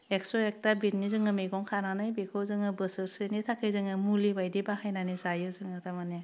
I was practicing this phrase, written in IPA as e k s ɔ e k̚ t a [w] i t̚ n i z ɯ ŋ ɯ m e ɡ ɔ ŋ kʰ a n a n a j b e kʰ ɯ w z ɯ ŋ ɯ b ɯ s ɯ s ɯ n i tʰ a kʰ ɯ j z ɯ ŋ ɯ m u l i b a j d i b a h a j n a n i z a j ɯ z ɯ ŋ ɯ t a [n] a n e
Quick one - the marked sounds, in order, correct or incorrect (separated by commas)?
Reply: incorrect, incorrect